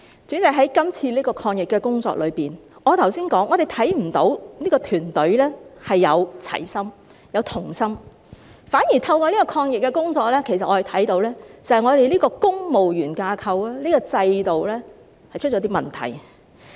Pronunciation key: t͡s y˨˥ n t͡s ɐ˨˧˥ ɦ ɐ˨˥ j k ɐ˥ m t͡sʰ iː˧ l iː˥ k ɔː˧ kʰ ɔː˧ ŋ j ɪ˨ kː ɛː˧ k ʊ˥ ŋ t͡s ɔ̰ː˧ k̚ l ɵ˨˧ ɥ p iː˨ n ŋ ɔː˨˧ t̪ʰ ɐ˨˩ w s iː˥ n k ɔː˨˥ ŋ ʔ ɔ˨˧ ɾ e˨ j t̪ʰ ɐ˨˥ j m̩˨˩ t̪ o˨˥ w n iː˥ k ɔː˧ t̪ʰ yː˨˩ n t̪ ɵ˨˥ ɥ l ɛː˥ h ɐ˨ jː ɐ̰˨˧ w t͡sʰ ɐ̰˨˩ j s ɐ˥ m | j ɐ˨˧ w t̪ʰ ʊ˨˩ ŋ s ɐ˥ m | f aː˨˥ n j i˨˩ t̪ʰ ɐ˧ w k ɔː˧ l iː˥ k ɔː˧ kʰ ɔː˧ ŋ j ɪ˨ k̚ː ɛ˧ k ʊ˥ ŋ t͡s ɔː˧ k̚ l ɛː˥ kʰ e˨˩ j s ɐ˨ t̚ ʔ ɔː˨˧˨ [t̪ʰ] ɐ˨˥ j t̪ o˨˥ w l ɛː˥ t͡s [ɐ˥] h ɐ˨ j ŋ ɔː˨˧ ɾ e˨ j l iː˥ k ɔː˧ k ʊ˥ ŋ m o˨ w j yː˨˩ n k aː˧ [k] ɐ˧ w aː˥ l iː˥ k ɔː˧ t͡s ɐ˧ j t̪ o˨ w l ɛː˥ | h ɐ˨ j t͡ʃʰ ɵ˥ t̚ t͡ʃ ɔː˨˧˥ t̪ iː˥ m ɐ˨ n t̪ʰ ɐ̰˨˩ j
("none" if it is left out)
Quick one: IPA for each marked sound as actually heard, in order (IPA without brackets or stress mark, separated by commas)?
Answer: t̪ʰ, ɐ˨, kʰ